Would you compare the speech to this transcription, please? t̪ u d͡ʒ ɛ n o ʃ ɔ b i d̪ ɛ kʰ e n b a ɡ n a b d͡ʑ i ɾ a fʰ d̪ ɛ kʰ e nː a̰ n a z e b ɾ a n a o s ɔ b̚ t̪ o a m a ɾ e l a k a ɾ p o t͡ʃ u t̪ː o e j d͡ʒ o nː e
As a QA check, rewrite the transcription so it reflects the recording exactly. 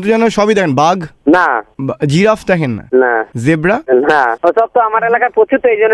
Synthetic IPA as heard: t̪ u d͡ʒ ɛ n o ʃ ɔ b i d̪ ɛ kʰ e n b a ɡ n a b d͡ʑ i ɾ a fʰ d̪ ɛ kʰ e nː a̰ n a z e b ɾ a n a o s ɔ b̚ t̪ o a m a ɾ e l a k a ɾ p o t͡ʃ u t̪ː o e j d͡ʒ o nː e